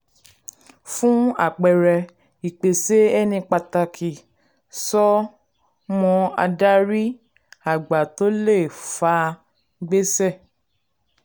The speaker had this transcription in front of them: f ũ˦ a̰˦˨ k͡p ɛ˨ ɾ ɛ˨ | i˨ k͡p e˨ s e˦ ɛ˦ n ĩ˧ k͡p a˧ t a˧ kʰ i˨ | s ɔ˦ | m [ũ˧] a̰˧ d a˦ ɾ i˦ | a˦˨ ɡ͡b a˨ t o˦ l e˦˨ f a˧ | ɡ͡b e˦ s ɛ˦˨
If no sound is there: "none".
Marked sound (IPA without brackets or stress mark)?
ɔ̃˧